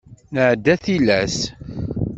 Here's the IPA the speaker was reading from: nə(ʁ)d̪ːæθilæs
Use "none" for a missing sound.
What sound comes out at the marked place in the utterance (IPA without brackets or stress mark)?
ʕ